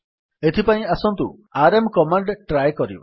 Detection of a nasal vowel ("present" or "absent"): present